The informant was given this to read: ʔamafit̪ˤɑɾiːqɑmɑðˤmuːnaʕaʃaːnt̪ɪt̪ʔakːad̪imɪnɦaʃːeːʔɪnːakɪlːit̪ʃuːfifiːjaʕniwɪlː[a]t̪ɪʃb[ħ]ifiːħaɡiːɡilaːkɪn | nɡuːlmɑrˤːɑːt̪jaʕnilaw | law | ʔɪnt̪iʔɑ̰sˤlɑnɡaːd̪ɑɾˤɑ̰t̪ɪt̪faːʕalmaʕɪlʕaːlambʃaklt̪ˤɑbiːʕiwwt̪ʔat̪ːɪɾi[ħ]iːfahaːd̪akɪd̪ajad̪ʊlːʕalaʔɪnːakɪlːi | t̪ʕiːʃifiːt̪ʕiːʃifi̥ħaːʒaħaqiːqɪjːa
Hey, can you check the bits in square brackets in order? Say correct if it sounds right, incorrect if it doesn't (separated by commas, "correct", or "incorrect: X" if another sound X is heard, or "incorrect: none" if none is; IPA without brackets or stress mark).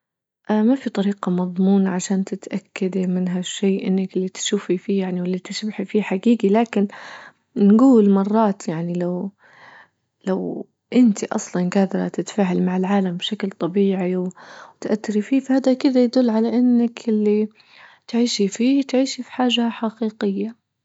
incorrect: i, correct, incorrect: f